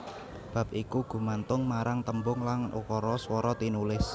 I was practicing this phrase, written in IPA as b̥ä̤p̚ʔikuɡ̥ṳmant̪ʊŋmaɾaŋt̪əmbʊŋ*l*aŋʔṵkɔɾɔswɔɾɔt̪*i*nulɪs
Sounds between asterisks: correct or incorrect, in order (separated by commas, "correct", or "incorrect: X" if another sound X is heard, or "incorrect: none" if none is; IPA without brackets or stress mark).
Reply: correct, correct